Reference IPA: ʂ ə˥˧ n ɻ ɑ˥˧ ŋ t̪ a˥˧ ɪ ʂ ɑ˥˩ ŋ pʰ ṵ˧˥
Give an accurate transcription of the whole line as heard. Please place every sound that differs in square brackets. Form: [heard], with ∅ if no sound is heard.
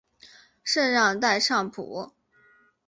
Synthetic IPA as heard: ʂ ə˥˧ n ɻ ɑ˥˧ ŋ t̪ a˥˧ ɪ ʂ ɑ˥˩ ŋ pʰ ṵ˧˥